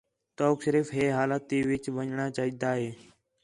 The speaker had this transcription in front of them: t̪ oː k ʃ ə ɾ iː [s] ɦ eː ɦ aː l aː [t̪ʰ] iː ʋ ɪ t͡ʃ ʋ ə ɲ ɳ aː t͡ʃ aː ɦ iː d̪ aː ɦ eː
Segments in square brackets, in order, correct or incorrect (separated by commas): incorrect, incorrect